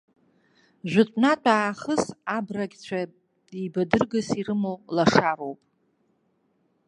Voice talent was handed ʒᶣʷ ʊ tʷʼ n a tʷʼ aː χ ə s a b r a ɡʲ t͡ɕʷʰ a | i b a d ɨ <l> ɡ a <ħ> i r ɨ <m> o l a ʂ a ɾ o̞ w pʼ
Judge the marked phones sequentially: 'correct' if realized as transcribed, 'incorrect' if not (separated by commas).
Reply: incorrect, incorrect, correct